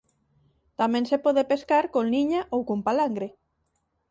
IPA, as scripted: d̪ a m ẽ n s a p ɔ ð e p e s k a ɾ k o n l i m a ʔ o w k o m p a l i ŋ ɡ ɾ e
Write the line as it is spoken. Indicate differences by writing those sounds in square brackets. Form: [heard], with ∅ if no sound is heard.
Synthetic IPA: [t̪] a m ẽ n s [e] p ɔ ð e p e s k a ɾ k o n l i [ɲ] a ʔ o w k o m p a l [a] ŋ ɡ ɾ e